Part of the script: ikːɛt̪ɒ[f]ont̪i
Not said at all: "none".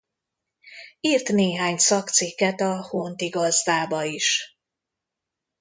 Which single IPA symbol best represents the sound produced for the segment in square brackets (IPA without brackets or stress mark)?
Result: h